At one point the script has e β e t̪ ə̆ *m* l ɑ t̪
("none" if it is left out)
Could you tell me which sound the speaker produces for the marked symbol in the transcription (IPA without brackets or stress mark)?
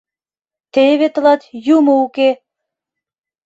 none